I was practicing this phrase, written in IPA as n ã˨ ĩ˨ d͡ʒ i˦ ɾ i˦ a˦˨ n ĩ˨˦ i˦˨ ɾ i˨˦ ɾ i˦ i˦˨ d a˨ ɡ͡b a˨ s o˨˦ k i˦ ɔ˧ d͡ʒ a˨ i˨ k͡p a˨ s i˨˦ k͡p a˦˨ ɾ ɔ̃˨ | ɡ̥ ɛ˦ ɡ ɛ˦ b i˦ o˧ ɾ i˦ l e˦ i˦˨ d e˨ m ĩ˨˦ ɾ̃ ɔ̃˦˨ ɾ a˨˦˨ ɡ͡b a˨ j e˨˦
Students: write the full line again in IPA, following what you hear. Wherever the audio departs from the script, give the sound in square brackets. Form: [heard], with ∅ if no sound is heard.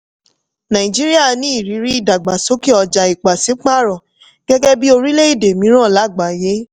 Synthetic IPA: n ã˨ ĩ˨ d͡ʒ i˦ ɾ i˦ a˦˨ n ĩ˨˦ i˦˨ ɾ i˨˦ ɾ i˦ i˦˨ d a˨ ɡ͡b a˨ s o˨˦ k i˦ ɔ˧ d͡ʒ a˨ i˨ k͡p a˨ s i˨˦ k͡p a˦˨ ɾ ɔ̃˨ | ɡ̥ ɛ˦ ɡ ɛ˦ b i˦ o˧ ɾ i˦ l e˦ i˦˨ d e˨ m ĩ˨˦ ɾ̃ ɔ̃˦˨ [l] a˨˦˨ ɡ͡b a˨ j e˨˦